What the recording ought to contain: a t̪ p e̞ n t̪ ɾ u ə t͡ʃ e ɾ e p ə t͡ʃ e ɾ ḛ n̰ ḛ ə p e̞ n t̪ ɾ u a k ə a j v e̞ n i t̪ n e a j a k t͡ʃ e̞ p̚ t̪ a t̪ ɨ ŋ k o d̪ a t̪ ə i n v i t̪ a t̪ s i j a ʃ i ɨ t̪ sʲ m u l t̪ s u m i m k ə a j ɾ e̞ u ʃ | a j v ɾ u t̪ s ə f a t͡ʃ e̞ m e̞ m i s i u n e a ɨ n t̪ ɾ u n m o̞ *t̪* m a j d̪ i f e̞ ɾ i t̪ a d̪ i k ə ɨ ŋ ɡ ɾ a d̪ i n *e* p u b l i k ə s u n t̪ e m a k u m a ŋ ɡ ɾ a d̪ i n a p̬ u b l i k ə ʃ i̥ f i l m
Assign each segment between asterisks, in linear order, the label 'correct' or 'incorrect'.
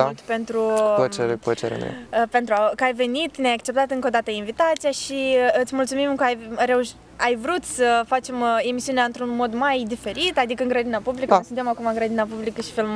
incorrect, incorrect

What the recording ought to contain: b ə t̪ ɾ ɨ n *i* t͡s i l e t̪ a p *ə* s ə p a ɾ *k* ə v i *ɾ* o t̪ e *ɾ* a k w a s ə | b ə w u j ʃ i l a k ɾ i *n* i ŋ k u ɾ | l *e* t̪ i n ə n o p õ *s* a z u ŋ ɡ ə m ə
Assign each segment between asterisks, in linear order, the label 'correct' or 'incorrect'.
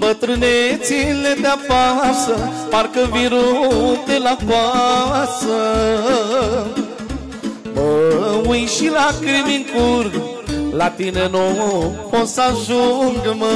incorrect, incorrect, correct, correct, incorrect, incorrect, incorrect, correct

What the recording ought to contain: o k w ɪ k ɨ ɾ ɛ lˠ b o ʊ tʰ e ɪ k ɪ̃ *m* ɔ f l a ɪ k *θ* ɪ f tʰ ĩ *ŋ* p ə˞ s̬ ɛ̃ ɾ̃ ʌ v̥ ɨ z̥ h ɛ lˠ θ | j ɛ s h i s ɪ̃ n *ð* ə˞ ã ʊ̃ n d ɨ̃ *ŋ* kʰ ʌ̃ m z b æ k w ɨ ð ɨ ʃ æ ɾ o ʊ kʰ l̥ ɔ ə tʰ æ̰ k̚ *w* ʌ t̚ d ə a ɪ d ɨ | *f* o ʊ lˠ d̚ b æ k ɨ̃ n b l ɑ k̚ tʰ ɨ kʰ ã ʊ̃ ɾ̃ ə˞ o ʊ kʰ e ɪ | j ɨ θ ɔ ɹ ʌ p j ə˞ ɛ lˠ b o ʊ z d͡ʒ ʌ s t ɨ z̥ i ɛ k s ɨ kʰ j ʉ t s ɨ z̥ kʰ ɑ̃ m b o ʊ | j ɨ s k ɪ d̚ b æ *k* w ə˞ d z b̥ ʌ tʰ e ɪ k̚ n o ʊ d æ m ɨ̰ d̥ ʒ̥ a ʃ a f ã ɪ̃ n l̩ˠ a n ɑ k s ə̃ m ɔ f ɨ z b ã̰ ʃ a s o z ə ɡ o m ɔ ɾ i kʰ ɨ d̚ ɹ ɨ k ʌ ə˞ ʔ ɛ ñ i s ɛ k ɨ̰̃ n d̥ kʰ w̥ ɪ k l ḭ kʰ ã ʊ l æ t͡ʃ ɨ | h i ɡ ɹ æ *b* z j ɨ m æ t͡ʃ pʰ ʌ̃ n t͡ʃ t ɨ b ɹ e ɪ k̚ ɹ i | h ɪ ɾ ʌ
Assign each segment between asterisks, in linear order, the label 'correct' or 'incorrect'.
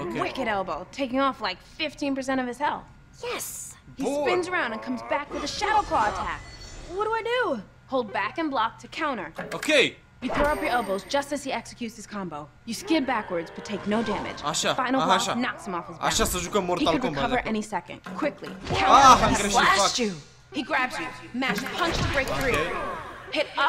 incorrect, incorrect, incorrect, incorrect, incorrect, correct, incorrect, correct, correct

